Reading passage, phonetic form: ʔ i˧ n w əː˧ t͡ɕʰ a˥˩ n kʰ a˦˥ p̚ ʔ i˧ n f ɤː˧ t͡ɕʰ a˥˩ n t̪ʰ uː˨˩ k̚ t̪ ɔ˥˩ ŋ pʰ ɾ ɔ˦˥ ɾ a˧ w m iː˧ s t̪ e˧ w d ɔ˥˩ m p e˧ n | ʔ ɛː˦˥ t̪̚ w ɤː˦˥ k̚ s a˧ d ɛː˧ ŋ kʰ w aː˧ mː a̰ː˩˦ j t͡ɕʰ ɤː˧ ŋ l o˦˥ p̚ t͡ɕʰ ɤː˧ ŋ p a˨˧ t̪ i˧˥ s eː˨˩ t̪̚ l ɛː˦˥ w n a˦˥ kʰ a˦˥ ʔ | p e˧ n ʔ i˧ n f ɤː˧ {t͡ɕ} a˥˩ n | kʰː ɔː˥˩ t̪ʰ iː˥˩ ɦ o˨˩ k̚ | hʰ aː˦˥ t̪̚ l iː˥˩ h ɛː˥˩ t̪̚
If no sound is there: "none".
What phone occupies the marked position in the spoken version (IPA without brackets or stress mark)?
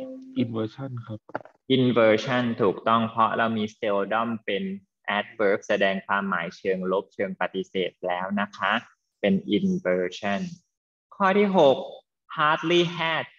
t͡ɕʰ